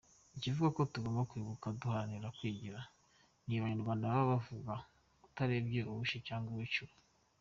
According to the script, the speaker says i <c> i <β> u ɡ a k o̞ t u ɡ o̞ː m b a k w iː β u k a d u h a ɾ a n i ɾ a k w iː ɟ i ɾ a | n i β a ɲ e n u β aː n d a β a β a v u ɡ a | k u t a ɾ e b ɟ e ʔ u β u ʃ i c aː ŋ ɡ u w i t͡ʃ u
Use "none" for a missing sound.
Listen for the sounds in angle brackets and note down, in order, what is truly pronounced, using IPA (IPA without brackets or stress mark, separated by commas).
c, v